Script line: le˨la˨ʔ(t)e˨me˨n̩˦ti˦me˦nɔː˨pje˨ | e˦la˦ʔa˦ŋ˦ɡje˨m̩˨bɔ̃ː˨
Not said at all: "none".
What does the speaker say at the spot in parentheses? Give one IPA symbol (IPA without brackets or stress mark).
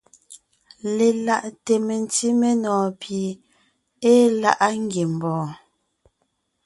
t